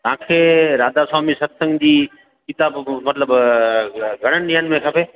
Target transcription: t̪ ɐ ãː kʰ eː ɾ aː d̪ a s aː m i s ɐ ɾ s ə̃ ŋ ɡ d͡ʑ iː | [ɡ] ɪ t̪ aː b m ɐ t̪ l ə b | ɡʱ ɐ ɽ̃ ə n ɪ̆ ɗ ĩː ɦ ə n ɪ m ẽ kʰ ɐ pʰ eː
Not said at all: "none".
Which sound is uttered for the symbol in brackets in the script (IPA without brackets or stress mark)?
k